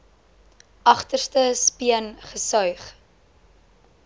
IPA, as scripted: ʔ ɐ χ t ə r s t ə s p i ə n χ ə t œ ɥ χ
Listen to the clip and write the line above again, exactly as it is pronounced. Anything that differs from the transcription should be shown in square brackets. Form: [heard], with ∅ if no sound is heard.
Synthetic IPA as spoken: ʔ ɐ χ t ə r s t ə s p i ə n χ ə [s] œ ɥ χ